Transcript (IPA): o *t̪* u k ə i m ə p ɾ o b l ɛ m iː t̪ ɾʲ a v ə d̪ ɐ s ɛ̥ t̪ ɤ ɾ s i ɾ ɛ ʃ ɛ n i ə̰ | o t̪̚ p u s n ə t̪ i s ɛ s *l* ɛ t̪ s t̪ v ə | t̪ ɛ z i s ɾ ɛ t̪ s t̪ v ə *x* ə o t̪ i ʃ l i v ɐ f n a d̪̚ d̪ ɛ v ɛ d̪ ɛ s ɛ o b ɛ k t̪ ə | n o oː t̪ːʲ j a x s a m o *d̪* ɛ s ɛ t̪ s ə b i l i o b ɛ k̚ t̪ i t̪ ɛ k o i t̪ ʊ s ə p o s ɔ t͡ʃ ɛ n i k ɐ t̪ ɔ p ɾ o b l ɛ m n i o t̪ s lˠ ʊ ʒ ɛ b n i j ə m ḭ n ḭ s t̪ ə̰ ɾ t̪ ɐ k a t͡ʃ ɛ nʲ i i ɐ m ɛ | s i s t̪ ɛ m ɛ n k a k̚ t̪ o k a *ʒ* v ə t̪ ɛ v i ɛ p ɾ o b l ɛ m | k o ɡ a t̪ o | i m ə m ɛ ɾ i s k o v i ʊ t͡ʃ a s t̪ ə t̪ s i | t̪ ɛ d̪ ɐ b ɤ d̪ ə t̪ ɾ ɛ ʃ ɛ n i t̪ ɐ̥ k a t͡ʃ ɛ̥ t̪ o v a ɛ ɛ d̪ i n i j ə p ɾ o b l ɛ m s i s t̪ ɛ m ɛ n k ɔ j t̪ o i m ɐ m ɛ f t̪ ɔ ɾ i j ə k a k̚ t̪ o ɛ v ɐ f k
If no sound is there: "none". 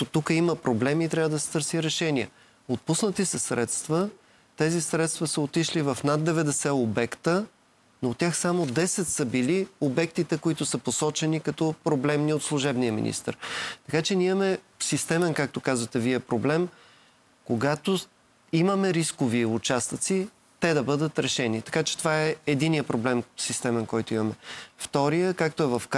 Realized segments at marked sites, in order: t̪, ɾ, s, d̪, z

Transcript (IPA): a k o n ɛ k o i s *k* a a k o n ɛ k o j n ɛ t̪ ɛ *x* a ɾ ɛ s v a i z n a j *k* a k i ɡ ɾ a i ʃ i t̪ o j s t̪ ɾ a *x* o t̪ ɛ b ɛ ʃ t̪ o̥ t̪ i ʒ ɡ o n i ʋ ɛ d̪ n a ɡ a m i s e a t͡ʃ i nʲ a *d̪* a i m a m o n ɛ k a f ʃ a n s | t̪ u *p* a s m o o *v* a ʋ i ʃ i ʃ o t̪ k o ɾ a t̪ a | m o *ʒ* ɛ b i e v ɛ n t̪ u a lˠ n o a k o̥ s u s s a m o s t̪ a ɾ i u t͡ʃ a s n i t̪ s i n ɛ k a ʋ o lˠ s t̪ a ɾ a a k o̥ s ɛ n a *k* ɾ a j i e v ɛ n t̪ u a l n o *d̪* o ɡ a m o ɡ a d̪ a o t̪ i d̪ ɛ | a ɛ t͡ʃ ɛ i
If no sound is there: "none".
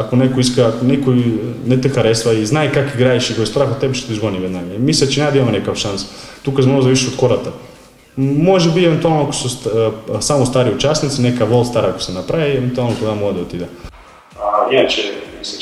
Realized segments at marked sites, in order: k, x, k, x, d̪, k, z, ʒ, p, t̪

